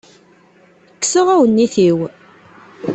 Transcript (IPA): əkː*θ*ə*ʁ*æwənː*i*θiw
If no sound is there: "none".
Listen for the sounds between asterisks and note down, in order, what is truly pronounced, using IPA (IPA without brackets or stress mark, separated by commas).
s, ʁ, i